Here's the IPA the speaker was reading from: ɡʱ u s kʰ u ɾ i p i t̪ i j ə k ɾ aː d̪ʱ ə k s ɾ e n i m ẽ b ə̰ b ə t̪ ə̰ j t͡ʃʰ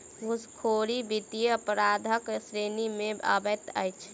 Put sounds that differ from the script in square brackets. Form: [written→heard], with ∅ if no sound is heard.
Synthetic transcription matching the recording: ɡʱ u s kʰ [u→o] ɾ i [p→b] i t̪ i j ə [k→p] ɾ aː d̪ʱ ə k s ɾ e n i m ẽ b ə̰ b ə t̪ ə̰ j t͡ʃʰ